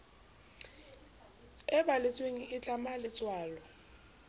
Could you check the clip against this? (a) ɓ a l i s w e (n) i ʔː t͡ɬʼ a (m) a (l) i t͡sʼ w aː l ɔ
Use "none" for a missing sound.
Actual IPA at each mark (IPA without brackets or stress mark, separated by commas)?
ɛ, ŋ, m, l